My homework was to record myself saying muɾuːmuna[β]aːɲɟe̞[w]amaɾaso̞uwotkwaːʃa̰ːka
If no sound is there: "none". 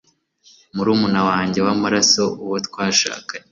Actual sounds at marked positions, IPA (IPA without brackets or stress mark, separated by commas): w, w